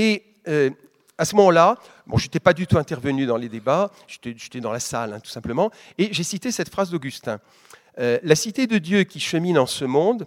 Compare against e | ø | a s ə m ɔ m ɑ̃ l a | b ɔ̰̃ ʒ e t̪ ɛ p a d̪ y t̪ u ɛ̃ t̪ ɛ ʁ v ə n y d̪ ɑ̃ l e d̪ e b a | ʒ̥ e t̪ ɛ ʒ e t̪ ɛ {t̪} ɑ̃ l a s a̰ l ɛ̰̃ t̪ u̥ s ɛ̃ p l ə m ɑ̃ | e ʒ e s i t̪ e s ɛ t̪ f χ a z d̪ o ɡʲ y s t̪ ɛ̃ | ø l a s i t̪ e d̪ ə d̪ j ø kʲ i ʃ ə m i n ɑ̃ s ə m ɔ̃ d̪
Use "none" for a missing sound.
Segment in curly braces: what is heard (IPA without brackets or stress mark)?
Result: d̪